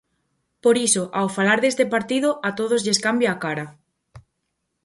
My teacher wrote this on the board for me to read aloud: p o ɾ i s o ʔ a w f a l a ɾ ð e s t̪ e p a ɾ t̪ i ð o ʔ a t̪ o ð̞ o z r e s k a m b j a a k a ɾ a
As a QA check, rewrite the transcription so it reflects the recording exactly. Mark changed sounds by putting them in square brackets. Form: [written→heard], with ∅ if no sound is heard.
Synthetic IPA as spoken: p o ɾ i s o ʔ a w f a l a ɾ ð e s t̪ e p a ɾ t̪ i ð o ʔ a t̪ o ð̞ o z [r→ʎ] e s k a m b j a a k a ɾ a